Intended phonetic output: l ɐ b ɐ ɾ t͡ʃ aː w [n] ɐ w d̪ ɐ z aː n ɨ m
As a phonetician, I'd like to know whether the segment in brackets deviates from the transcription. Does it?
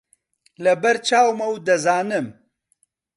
yes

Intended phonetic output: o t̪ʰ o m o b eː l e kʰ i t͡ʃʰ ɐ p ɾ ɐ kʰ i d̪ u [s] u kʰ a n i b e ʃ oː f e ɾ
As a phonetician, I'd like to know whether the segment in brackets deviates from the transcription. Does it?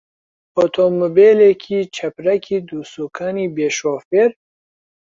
no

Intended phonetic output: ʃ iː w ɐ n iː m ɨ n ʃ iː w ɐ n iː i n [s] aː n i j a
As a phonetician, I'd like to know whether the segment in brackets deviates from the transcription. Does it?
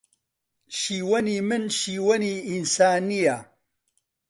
no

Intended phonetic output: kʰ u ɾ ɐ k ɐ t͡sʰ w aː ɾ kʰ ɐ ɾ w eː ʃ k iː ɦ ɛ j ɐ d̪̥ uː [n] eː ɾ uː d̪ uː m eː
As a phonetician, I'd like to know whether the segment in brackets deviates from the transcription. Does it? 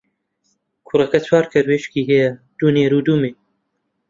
no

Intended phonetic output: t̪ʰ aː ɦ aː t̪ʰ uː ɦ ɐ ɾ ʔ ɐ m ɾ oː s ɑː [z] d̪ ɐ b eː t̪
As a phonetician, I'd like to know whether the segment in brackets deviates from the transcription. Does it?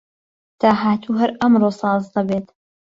no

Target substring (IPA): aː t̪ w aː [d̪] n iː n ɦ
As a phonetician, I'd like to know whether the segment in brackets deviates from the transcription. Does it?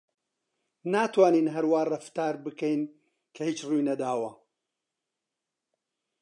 yes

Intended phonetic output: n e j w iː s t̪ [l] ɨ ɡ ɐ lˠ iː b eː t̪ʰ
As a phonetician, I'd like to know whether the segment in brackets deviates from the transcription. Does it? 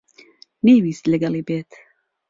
no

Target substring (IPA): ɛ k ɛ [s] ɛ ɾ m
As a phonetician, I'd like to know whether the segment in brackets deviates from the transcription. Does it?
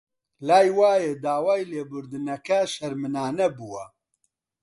yes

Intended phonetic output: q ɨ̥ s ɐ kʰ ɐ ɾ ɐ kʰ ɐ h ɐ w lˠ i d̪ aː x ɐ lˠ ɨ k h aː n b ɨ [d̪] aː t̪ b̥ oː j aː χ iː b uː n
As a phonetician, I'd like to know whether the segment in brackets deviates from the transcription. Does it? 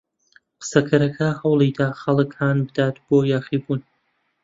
no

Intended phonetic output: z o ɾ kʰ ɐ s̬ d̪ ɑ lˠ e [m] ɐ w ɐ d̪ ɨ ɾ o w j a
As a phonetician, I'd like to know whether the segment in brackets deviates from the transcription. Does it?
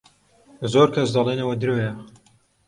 yes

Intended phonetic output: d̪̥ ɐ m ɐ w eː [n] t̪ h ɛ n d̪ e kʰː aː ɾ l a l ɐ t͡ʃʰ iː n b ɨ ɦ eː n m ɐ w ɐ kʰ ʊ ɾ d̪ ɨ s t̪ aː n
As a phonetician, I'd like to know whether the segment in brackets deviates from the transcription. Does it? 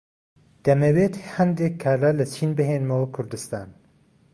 yes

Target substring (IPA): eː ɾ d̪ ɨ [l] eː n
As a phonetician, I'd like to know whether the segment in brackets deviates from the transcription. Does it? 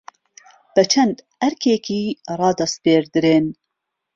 yes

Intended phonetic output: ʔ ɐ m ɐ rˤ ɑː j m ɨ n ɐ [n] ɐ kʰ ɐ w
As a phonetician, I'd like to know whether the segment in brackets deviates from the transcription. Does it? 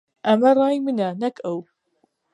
no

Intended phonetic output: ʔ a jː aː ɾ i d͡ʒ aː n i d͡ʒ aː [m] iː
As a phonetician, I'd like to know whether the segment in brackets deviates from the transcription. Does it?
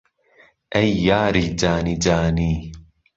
yes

